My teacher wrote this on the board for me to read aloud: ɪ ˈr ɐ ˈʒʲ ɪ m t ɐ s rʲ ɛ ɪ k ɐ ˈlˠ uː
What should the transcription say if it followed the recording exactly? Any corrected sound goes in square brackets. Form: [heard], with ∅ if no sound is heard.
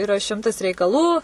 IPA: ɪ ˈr ɐ [ˈʃʲ] ɪ m t ɐ s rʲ ɛ ɪ k ɐ ˈlˠ uː